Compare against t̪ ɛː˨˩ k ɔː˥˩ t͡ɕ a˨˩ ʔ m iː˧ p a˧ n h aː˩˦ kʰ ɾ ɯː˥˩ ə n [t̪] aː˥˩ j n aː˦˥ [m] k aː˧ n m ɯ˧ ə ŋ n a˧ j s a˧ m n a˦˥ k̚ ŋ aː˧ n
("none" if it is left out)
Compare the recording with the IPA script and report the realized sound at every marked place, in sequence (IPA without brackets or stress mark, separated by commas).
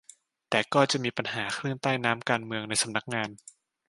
t̪, m